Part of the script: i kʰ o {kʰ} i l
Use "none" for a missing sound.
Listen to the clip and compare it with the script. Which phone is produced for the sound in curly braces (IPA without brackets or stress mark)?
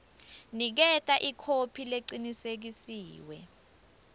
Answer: pʰ